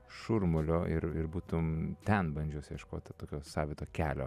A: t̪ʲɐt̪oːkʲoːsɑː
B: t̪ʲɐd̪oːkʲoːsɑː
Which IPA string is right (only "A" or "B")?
A